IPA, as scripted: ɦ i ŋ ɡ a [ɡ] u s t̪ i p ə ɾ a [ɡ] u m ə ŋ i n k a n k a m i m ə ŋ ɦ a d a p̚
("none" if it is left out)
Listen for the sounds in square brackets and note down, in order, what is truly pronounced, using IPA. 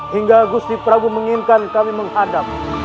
ɡ, ɡ

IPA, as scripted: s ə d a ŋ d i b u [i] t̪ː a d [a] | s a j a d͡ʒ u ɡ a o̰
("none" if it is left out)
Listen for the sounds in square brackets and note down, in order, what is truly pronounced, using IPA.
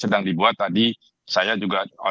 a, i

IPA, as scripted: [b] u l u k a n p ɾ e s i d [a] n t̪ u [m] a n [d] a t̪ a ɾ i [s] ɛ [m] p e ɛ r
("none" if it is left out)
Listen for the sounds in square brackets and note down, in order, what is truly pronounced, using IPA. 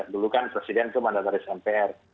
d, ɛ, m, d, s, m

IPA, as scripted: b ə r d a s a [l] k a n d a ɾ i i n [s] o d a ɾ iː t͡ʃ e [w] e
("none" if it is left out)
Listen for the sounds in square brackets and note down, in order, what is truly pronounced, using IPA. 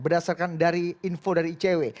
r, f, w

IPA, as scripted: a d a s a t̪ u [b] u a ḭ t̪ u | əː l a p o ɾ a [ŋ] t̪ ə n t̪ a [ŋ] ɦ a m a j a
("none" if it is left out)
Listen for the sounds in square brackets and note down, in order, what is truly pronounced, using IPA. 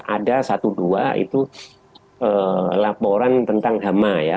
d, n, ŋ

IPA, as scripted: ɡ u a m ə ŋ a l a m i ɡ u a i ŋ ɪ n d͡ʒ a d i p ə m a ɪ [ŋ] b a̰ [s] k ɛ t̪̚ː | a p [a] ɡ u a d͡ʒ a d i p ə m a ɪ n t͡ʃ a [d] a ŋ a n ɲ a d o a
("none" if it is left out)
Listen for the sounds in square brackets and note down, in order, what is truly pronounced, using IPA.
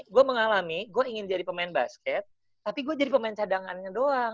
n, s, i, d

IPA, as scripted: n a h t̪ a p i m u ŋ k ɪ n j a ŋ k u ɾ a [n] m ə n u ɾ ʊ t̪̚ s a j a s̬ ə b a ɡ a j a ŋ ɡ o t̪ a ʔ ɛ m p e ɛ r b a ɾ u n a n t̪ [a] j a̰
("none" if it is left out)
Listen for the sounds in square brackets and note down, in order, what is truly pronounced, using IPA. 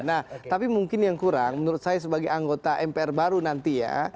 ŋ, i

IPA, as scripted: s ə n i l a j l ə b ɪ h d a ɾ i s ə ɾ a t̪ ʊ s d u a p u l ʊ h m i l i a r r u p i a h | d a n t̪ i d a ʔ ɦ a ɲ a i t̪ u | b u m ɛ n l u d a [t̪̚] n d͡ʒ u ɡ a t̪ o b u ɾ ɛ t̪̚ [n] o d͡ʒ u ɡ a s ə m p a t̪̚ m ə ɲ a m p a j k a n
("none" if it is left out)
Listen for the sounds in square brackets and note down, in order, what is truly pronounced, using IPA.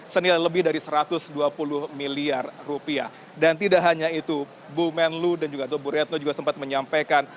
none, n

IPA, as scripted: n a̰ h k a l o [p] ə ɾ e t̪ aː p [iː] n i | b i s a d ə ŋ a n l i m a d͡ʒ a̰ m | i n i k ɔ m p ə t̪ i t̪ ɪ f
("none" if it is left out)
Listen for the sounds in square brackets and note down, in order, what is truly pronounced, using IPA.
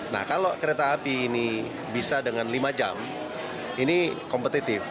k, iː

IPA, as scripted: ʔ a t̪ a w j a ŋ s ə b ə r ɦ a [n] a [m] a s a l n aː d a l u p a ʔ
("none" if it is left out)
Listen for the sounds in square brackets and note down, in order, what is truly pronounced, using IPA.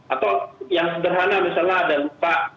n, m

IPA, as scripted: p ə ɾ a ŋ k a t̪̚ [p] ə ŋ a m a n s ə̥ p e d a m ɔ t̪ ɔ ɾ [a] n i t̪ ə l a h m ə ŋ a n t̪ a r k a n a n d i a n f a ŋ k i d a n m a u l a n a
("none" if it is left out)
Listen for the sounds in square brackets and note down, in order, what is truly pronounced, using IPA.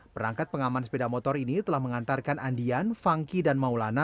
p, i

